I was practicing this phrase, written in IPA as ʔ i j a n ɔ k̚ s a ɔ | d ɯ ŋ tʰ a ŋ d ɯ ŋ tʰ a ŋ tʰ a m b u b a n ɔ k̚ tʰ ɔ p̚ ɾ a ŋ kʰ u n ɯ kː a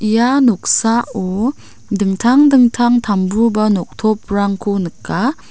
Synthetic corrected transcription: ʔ i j a n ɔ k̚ s a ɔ | d ɯ ŋ tʰ a ŋ d ɯ ŋ tʰ a ŋ tʰ a m b u b a n ɔ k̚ tʰ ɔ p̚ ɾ a ŋ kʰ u n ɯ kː a